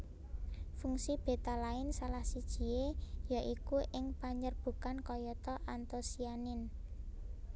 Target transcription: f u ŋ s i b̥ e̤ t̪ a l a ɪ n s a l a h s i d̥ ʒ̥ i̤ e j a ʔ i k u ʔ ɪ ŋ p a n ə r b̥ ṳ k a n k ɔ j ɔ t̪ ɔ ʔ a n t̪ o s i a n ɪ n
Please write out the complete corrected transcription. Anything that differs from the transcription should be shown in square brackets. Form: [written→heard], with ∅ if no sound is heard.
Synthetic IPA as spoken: f u ŋ s i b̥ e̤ t̪ a l a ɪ n s a l a h s i d̥ ʒ̥ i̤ e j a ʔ i k u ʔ ɪ ŋ p a [n→ɲ] ə r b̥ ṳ k a n k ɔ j ɔ t̪ ɔ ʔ a n t̪ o s i a n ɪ n